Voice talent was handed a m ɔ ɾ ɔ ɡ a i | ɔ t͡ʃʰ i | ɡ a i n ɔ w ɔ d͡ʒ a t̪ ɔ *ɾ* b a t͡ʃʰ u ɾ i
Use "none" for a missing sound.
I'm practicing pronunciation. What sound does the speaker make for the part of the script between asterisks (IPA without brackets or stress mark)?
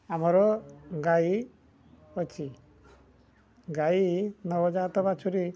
none